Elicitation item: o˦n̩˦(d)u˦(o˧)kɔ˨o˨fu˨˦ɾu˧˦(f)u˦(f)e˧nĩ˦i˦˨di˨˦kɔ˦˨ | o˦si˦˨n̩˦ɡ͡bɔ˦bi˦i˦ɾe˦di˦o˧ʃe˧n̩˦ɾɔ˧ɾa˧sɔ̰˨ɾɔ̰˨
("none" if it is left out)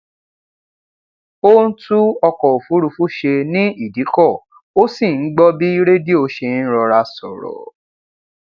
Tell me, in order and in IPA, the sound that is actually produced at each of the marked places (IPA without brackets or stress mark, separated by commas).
t, ɔ˧, f, ʃ